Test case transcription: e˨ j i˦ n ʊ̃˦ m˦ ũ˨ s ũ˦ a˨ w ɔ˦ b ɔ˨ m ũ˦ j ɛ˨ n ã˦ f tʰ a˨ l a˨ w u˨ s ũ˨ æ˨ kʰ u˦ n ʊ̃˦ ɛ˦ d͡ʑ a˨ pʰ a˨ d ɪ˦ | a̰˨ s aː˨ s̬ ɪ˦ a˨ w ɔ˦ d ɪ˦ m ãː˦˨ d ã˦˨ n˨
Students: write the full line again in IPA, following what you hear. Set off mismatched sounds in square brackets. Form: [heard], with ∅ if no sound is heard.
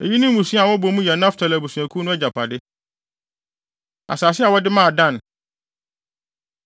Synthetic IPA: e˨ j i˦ n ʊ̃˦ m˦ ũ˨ s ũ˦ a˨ w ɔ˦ b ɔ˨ m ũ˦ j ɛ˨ n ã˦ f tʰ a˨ l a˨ [b] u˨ s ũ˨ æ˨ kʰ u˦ n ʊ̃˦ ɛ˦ d͡ʑ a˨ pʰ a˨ d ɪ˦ | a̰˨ s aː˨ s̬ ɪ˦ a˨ w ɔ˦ d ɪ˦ m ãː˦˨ d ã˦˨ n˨